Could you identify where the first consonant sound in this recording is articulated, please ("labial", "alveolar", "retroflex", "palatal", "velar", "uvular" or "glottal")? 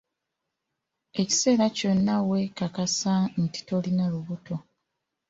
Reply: palatal